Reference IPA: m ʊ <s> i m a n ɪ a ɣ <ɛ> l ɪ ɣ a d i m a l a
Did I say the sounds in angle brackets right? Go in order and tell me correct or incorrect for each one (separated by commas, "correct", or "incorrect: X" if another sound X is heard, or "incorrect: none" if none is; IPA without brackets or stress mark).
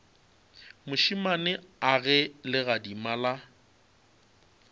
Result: incorrect: ʃ, correct